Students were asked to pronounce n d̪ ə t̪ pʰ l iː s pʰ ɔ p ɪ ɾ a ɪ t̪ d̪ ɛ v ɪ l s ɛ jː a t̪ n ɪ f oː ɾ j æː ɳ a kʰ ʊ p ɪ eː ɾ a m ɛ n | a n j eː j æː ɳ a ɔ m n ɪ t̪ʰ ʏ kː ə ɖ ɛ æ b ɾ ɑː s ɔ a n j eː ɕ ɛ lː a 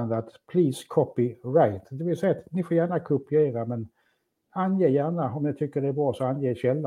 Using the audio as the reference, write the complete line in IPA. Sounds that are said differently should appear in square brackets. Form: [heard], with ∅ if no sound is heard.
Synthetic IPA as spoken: n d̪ [a] t̪ pʰ l iː s [kʰ] ɔ p ɪ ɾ a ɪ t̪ d̪ ɛ v ɪ l s ɛ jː a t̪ n ɪ f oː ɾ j æː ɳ a kʰ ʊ p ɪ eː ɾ a m ɛ n | a n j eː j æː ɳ a ɔ m n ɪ t̪ʰ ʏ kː ə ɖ ɛ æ b ɾ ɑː s ɔ a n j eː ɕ ɛ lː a